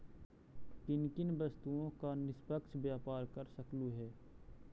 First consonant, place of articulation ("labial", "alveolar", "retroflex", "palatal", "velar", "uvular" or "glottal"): velar